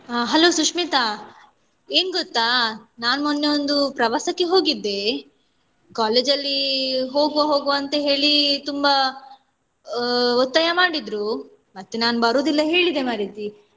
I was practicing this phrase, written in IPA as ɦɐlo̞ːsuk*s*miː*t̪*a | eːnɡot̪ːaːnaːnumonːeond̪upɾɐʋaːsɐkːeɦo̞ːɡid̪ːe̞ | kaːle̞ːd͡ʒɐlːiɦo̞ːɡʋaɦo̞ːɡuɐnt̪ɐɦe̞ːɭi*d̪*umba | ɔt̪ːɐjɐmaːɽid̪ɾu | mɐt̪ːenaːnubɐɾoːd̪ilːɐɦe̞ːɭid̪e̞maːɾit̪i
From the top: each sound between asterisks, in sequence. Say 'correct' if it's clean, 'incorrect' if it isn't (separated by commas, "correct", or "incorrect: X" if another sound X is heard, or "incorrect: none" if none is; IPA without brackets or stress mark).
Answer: incorrect: ʂ, correct, incorrect: t̪